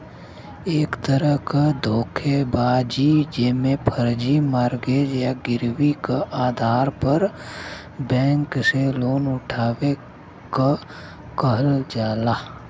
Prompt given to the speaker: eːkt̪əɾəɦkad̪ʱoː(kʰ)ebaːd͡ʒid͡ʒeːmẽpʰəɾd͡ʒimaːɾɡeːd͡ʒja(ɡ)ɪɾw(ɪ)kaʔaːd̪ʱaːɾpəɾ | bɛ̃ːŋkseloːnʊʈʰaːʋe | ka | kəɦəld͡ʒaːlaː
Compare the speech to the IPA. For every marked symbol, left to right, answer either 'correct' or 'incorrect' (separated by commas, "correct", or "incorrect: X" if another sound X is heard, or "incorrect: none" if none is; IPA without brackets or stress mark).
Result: correct, correct, incorrect: i